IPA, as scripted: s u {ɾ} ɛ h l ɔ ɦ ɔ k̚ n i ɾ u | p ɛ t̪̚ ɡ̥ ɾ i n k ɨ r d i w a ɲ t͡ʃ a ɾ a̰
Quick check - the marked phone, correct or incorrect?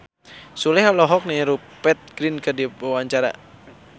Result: incorrect